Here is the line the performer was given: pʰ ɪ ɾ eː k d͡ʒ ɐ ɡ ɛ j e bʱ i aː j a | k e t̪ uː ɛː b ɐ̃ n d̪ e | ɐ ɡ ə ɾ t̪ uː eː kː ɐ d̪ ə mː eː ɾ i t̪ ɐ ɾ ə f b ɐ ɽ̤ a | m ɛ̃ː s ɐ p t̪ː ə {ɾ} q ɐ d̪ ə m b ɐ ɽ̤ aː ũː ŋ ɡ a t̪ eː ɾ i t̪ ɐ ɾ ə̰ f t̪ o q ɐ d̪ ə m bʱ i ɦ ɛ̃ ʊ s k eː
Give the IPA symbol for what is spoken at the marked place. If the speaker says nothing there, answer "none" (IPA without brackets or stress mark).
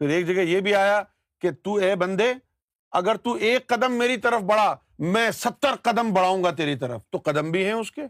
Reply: ɾ